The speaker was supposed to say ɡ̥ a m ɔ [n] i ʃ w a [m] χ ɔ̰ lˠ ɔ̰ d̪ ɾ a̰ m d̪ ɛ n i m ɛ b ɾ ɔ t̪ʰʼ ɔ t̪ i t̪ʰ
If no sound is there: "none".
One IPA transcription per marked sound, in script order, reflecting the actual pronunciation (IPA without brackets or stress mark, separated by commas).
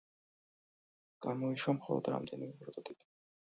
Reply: none, m